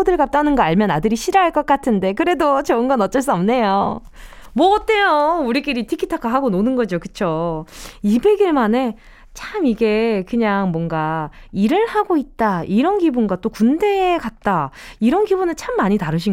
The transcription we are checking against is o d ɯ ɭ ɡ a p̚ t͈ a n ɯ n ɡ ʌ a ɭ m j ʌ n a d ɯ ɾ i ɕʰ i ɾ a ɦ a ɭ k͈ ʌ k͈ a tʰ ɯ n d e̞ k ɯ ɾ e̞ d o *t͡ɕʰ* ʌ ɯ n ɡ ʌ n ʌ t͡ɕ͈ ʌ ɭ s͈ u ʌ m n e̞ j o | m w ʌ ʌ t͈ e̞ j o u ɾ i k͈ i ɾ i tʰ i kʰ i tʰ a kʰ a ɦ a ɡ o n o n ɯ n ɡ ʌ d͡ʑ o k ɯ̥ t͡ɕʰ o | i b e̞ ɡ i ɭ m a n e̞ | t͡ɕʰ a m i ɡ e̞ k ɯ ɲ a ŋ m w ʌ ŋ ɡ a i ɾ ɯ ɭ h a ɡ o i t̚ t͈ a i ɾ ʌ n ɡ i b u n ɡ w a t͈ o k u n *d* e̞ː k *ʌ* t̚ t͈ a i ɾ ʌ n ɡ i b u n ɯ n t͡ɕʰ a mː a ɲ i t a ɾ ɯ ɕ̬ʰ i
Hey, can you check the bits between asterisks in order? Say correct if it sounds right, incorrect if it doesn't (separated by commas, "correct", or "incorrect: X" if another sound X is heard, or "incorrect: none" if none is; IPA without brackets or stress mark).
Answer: incorrect: t͡ɕ, correct, incorrect: a